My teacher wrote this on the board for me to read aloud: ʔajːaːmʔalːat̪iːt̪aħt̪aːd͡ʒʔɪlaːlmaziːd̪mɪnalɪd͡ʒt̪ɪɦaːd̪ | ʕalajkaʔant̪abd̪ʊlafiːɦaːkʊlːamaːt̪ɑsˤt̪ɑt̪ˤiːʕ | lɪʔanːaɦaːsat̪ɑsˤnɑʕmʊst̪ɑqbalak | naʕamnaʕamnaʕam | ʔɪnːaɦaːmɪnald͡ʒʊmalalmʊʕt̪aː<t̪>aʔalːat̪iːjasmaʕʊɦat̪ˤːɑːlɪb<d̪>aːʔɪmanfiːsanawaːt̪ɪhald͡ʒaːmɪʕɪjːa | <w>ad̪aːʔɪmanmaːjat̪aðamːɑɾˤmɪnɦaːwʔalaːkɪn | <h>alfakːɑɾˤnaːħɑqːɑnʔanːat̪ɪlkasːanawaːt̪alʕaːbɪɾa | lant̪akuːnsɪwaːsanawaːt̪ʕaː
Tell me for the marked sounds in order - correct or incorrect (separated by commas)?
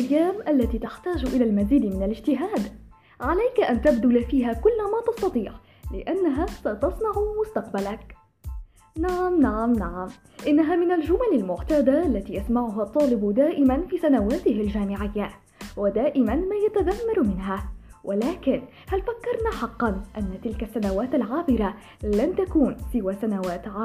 incorrect, correct, correct, correct